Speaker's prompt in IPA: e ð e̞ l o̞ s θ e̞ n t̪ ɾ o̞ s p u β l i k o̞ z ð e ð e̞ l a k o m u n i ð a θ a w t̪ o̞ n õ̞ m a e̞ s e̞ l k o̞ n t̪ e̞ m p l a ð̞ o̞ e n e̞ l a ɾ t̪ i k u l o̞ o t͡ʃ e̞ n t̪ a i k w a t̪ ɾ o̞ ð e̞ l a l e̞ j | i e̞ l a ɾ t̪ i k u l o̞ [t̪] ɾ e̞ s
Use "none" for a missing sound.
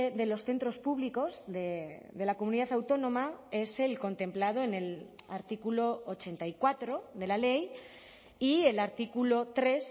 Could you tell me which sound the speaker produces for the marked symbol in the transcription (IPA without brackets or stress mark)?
t̪